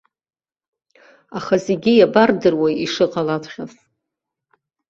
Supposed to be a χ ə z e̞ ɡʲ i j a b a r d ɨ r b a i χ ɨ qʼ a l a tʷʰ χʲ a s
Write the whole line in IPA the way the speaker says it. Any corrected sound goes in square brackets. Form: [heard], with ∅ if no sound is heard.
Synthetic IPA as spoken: a χ [a] z e̞ ɡʲ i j a b a r d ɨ r [w] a i [ʂ] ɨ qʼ a l a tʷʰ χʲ a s